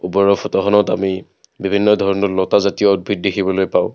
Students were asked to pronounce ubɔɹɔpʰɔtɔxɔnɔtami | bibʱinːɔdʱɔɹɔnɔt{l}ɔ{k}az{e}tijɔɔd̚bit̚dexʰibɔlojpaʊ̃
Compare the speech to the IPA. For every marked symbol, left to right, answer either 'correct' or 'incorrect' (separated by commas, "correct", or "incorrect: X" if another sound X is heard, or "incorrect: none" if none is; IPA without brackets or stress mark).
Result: correct, incorrect: t, incorrect: a